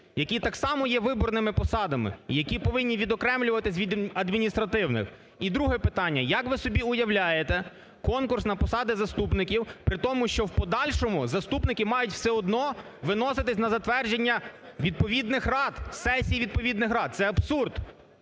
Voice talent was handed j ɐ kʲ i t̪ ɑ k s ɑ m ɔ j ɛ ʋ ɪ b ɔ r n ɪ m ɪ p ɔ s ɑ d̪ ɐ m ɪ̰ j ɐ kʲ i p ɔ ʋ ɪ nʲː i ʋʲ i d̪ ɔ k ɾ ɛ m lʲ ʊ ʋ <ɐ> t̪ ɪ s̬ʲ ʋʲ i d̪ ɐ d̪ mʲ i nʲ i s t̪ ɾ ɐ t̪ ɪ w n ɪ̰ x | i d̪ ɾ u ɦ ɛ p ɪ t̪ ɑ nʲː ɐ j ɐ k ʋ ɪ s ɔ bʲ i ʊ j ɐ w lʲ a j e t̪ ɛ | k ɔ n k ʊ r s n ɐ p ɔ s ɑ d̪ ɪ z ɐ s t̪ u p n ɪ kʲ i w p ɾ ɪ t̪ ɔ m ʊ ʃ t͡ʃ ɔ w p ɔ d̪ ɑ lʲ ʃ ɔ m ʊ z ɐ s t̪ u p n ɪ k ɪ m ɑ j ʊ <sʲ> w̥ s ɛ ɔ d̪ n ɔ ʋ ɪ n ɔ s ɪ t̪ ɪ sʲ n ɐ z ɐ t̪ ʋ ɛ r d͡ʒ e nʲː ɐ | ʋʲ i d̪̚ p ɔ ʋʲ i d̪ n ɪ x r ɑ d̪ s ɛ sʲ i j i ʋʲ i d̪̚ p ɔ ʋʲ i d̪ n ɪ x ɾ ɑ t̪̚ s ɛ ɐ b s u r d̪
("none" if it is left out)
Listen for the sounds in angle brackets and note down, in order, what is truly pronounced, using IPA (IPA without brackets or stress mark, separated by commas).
ɐ, tʲ